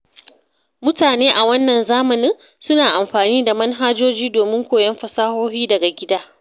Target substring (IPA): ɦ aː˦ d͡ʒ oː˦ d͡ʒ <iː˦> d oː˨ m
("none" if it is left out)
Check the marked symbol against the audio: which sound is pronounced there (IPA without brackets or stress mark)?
iː˦